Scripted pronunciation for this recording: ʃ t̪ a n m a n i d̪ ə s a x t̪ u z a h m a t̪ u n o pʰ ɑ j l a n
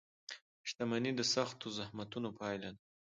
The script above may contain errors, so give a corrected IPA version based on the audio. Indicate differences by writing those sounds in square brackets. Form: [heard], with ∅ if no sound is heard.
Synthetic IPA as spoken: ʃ t̪ a [∅] m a n i d̪ ə s a x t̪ [o] z a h m a t̪ u n o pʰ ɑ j l a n

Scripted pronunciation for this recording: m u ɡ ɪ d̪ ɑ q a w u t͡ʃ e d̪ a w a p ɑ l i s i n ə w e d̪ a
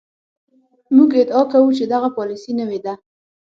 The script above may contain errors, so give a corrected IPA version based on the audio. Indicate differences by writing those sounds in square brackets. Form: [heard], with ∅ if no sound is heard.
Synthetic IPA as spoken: m u ɡ ɪ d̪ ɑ [k] a w u t͡ʃ e d̪ a [ɣ] a p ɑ l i s i n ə w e d̪ a

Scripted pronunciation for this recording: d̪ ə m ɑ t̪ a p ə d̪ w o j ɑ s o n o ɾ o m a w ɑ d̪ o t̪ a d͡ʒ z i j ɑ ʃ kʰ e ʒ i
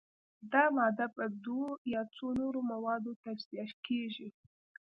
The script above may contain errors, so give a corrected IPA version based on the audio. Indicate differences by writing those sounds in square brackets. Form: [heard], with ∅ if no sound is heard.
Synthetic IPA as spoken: d̪ [ɑ] m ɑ [d̪] a p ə d̪ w o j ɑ [t͡s] o n o ɾ o m a w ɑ d̪ o t̪ a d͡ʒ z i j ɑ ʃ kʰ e ʒ i

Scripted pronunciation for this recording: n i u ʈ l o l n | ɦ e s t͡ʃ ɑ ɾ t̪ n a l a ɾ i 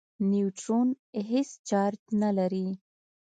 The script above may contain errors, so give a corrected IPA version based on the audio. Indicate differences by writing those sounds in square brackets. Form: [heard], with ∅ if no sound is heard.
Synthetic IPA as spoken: n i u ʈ [ɾ] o [∅] n | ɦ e s t͡ʃ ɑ ɾ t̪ n a l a ɾ i

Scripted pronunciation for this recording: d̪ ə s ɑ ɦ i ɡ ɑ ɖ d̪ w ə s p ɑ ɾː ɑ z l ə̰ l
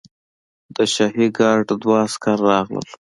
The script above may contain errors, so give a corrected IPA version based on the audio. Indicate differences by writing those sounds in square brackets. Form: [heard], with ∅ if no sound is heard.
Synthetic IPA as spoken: d̪ ə [ʃ] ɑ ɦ i ɡ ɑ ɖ d̪ w [ɑ] s [k] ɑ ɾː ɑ [ɣ] l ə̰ l

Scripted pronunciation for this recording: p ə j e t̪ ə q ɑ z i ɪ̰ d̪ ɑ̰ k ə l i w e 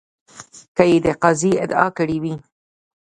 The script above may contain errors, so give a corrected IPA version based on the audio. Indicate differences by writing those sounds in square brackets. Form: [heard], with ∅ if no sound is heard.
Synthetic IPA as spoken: [k] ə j e [d̪] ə q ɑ z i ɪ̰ d̪ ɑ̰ k ə [ɽ] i w [i]

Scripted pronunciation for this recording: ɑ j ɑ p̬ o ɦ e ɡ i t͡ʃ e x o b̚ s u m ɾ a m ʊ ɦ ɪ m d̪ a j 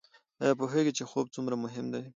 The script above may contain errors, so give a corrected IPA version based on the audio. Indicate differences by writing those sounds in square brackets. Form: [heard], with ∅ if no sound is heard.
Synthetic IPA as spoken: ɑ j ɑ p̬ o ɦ e ɡ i t͡ʃ e x o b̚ [t͡s] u m ɾ a m ʊ ɦ ɪ m d̪ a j

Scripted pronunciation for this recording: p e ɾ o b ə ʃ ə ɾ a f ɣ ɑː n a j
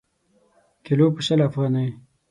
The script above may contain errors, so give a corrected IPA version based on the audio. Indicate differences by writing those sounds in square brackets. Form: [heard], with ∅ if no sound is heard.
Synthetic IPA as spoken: [k] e [l] o [p] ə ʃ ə [l] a f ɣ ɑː n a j

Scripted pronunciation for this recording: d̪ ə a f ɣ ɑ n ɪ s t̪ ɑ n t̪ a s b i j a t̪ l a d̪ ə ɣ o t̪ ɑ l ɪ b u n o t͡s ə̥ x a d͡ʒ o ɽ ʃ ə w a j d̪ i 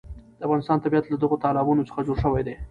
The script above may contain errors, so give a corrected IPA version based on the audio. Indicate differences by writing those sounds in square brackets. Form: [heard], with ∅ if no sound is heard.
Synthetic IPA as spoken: d̪ ə a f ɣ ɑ n ɪ s t̪ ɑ n t̪ a [∅] b i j a t̪ l a d̪ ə ɣ o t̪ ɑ l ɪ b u n o t͡s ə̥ x a d͡ʒ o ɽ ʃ ə w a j d̪ [e]

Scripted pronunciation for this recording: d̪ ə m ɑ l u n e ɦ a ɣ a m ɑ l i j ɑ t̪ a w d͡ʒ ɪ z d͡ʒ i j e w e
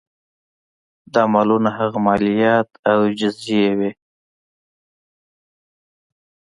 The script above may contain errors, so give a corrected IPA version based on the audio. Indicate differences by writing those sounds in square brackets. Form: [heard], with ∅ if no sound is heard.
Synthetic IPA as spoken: d̪ [ɑ] m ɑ l u n [a] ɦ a ɣ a m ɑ l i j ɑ t̪ a w d͡ʒ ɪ z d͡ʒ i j e w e

